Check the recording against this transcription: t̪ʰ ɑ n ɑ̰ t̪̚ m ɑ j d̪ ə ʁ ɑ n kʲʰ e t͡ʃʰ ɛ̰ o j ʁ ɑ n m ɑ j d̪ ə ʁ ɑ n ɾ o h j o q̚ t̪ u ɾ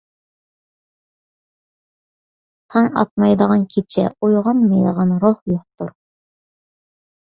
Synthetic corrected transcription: t̪ʰ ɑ ŋ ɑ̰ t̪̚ m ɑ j d̪ ə ʁ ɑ n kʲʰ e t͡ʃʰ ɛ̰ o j ʁ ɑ n m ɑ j d̪ ə ʁ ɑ n ɾ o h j o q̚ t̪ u ɾ

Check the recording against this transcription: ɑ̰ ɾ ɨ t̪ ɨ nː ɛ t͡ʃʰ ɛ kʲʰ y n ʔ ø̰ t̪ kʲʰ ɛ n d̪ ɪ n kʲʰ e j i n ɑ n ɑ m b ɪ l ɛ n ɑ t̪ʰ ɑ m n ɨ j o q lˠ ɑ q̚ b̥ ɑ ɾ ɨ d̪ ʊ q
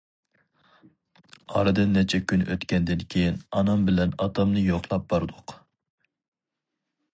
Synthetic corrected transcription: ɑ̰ ɾ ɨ d̪ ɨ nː ɛ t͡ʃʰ ɛ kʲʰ y n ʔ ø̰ t̪ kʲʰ ɛ n d̪ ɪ n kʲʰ e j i n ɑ n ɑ m b ɪ l ɛ n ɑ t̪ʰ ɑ m n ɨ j o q lˠ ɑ p̚ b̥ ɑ ɾ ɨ d̪ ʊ q

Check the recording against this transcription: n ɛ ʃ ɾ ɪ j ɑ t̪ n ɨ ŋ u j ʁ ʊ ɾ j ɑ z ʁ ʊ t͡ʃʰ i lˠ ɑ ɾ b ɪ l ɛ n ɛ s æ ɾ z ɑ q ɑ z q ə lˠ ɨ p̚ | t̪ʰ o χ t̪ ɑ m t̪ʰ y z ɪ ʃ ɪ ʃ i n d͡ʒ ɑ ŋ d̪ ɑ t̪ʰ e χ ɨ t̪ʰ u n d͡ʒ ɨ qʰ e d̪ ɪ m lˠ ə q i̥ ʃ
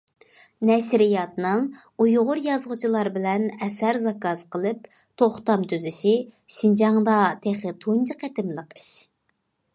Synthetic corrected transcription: n ɛ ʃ ɾ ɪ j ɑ t̪ n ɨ ŋ u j ʁ ʊ ɾ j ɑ z ʁ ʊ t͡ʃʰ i lˠ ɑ ɾ b ɪ l ɛ n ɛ s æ ɾ z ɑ k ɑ z q ə lˠ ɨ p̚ | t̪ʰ o χ t̪ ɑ m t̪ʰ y z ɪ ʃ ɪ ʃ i n d͡ʒ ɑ ŋ d̪ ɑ t̪ʰ e χ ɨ t̪ʰ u n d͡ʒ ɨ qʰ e t̪ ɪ m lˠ ə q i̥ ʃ

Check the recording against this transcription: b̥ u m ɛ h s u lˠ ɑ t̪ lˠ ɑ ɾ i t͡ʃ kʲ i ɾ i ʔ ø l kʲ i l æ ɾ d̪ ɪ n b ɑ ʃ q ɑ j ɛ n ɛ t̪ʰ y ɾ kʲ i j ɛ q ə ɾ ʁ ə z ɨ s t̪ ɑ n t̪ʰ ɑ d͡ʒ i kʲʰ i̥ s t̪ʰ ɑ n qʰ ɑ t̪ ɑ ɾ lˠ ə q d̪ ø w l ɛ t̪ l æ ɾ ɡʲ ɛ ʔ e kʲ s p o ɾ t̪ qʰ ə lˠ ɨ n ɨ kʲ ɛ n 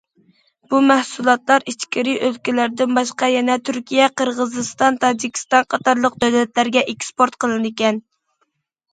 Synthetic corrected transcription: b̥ u m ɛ h s u lˠ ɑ t̪ lˠ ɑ ɾ i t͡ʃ kʲ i ɾ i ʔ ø l kʲ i l æ ɾ d̪ ɪ n b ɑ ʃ q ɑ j ɛ n ɛ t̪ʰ y ɾ kʲ i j ɛ q ə ɾ ʁ ə z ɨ s t̪ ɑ n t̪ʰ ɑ d͡ʒ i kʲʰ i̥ s t̪ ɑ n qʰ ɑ t̪ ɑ ɾ lˠ ə q d̪ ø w l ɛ t̪ l æ ɾ ɡʲ ɛ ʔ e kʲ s p o ɾ t̪ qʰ ə lˠ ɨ n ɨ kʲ ɛ n

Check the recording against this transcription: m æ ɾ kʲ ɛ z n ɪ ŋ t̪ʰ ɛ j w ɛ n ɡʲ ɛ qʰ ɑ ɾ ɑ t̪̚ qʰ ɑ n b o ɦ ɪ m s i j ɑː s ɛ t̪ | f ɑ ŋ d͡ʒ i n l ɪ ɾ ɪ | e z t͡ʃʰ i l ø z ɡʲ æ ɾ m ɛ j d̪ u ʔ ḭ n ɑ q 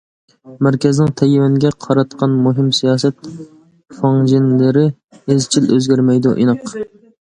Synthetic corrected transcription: m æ ɾ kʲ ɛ z n ɪ ŋ t̪ʰ ɛ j w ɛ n ɡʲ ɛ qʰ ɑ ɾ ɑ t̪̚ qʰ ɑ n m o ɦ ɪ m s i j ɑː s ɛ t̪ | f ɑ ŋ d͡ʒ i n l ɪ ɾ ɪ | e z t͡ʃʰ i l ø z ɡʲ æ ɾ m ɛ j d̪ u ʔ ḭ n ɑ q

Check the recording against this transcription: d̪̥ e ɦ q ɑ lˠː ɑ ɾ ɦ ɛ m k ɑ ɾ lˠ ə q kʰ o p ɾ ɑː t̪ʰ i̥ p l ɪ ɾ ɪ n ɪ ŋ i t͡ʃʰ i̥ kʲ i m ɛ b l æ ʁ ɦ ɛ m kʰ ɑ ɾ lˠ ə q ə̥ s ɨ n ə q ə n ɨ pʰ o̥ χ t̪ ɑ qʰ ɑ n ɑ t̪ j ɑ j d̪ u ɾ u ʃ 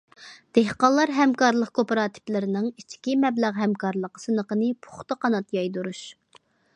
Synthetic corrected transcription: d̪̥ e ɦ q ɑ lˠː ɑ ɾ ɦ ɛ m k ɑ ɾ lˠ ə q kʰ o p ɾ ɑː t̪ʰ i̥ p l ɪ ɾ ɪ n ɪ ŋ i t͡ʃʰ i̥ kʲ i m ɛ b l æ ʁ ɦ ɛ m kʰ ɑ ɾ lˠ ə q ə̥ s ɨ n ə q ə n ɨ pʰ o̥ χ t̪ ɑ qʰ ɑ n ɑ t̪ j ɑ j d̪ u ɾ u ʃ

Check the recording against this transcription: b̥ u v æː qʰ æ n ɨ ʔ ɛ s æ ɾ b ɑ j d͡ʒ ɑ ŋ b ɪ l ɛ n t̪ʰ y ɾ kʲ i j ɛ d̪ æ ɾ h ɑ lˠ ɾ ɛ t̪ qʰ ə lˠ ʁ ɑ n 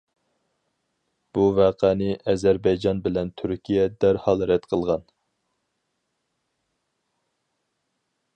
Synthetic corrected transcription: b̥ u v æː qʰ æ n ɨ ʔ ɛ z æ ɾ b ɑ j d͡ʒ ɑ n b ɪ l ɛ n t̪ʰ y ɾ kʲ i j ɛ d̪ æ ɾ h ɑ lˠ ɾ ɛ t̪ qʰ ə lˠ ʁ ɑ n

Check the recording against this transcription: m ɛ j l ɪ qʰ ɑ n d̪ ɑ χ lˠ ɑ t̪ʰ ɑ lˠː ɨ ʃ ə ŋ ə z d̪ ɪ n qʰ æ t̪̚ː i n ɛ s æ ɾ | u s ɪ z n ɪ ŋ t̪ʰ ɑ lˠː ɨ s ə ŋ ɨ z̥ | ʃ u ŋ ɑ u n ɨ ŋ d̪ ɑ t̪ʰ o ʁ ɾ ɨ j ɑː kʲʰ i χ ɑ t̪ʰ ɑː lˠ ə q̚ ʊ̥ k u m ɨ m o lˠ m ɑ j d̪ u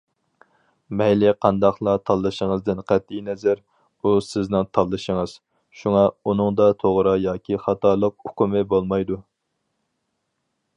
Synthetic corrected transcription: m ɛ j l ɪ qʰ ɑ n d̪ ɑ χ lˠ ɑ t̪ʰ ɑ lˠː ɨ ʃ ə ŋ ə z d̪ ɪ n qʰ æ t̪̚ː i n ɛ z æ ɾ | u s ɪ z n ɪ ŋ t̪ʰ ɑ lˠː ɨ ʃ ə ŋ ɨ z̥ | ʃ u ŋ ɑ u n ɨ ŋ d̪ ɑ t̪ʰ o ʁ ɾ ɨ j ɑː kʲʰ i χ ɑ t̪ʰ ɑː lˠ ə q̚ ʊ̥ k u m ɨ b o lˠ m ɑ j d̪ u

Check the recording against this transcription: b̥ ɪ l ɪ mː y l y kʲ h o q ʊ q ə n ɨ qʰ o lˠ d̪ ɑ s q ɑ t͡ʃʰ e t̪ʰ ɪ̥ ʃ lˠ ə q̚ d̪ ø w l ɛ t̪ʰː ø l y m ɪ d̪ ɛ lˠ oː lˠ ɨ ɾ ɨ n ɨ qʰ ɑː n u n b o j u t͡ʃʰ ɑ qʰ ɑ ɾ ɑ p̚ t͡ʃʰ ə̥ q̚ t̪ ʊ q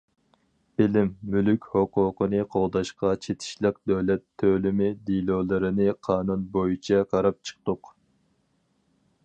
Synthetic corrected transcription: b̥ ɪ l ɪ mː y l y kʲ h o q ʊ q ə n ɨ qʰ o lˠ d̪ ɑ ʃ q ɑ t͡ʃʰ e t̪ʰ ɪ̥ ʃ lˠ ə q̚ d̪ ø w l ɛ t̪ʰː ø l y m ɪ d̪ i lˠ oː lˠ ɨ ɾ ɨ n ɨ qʰ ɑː n u n b o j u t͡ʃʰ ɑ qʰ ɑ ɾ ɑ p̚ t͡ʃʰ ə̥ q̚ t̪ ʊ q

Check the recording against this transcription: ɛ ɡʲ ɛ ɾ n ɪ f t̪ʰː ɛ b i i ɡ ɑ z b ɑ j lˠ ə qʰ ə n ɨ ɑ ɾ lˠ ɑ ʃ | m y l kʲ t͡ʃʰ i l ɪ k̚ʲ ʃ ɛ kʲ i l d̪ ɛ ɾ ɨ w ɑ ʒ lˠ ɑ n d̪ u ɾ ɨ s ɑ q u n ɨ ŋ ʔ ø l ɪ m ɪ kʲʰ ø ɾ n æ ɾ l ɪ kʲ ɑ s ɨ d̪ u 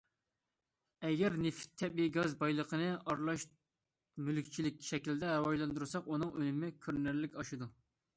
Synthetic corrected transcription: ɛ ɡʲ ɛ ɾ n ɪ f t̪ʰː ɛ b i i ɡ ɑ z b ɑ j lˠ ə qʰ ə n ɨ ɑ ɾ lˠ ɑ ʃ | m y l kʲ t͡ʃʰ i l ɪ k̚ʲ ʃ ɛ kʲ i l d̪ ɛ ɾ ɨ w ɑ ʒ lˠ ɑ n d̪ u ɾ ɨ s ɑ q u n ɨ ŋ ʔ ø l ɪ m ɪ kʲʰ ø ɾ n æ ɾ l ɪ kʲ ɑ ʃ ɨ d̪ u

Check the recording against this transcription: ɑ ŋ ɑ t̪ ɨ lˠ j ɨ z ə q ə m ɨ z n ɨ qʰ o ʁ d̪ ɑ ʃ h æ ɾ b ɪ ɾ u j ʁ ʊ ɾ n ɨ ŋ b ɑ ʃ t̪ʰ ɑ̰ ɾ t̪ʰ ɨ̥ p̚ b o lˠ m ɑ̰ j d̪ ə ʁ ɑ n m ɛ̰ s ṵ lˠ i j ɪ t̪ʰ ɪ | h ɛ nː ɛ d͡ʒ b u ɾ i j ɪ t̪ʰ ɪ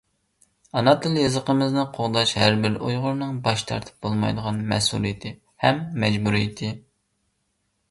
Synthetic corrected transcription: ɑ n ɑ t̪ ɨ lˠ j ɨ z ə q ə m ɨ z n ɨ qʰ o ʁ d̪ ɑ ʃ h æ ɾ b ɪ ɾ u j ʁ ʊ ɾ n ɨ ŋ b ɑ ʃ t̪ʰ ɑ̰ ɾ t̪ʰ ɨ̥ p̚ b o lˠ m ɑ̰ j d̪ ə ʁ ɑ n m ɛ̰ s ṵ lˠ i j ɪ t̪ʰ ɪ | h ɛ mː ɛ d͡ʒ b u ɾ i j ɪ t̪ʰ ɪ

